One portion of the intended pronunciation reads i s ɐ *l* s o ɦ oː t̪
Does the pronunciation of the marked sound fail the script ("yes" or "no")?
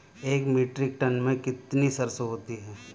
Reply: yes